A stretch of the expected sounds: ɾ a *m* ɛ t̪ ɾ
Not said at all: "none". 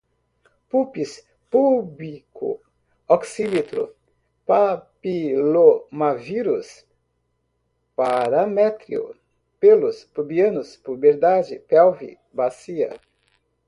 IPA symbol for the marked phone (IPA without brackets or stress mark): m